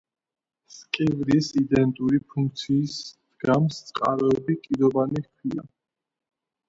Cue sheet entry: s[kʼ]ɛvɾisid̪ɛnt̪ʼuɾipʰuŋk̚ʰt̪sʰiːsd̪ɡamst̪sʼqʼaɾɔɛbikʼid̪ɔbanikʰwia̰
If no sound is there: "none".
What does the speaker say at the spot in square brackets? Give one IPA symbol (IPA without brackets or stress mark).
kʼ